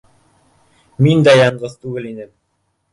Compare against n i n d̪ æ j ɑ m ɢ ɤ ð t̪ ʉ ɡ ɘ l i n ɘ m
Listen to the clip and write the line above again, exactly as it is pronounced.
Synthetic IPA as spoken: m i n d̪ æ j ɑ ɴ ɢ ɤ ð t̪ ʉ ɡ ɘ l i n ɘ m